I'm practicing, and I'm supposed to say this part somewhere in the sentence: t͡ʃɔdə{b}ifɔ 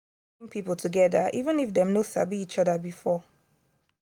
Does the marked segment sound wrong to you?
no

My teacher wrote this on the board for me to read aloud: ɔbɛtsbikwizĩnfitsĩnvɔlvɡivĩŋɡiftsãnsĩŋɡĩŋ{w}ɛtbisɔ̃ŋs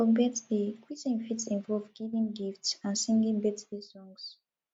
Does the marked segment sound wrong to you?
yes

